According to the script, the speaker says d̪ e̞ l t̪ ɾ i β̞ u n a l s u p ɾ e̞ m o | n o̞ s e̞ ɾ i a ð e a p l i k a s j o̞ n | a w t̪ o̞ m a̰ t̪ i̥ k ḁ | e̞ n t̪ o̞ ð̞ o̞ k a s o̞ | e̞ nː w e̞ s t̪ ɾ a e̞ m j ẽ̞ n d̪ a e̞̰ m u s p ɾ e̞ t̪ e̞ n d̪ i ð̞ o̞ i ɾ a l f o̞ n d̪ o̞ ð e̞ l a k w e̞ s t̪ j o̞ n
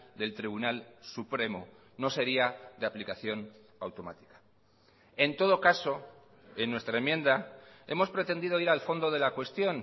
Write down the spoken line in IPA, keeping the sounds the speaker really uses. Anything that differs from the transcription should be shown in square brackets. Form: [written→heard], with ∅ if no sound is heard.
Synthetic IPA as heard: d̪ e̞ l t̪ ɾ i β̞ u n a l s u p ɾ e̞ m o | n o̞ s e̞ ɾ i a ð e a p l i k a [s→θ] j o̞ n | a w t̪ o̞ m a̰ t̪ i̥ k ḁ | e̞ n t̪ o̞ ð̞ o̞ k a s o̞ | e̞ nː w e̞ s t̪ ɾ a e̞ m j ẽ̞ n d̪ a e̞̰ m [u→o] s p ɾ e̞ t̪ e̞ n d̪ i ð̞ o̞ i ɾ a l f o̞ n d̪ o̞ ð e̞ l a k w e̞ s t̪ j o̞ n